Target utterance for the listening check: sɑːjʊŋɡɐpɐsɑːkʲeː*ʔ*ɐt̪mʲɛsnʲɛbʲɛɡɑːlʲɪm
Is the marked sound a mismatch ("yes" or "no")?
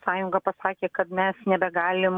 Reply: yes